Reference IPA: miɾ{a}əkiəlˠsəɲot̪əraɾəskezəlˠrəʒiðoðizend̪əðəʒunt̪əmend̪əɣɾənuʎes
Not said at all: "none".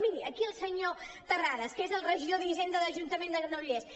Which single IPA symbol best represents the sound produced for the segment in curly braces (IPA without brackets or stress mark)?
i